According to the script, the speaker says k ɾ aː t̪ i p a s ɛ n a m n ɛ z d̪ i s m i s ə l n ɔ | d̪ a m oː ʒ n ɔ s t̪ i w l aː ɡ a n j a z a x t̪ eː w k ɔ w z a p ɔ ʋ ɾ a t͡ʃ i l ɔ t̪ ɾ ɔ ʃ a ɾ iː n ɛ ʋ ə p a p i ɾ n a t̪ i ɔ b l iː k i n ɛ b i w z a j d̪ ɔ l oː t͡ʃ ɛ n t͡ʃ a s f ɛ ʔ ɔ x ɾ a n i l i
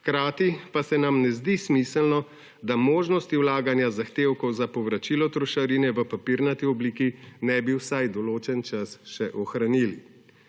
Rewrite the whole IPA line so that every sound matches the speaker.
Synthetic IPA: k ɾ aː t̪ i p a s ɛ n a m n ɛ z d̪ i s m i s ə l n ɔ | d̪ a m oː ʒ n ɔ s t̪ i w l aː ɡ a n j a z a x t̪ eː w k ɔ w z a p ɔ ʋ ɾ a t͡ʃ i l ɔ t̪ ɾ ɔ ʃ a ɾ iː n ɛ ʋ ə p a p i ɾ n a t̪ i ɔ b l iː k i n ɛ b i w s a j d̪ ɔ l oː t͡ʃ ɛ n t͡ʃ a s ʃ ɛ ʔ ɔ x ɾ a n i l i